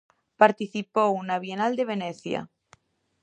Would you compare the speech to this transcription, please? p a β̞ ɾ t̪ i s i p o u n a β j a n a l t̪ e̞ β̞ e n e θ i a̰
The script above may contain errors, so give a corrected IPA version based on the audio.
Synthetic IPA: p a ɾ t̪ i θ i p o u n a β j e n a l d̪ e̞ β̞ e n e θ j a̰